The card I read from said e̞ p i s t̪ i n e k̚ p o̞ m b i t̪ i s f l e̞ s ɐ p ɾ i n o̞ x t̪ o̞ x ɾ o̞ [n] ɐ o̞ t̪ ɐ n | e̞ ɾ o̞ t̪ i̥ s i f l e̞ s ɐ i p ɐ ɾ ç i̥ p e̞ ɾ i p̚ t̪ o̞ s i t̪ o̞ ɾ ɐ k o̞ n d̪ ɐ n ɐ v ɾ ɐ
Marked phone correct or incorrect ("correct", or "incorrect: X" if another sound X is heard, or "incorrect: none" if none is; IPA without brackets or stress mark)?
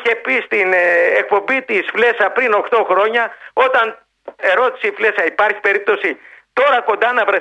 incorrect: ɲ